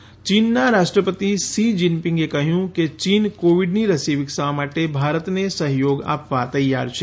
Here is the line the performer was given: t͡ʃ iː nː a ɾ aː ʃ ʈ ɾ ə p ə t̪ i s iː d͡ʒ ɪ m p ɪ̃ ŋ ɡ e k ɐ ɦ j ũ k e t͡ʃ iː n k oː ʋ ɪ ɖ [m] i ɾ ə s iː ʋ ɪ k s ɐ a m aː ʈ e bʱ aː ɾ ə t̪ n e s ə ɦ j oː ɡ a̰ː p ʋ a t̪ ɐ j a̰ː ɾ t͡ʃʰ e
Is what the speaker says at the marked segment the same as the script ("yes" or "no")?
no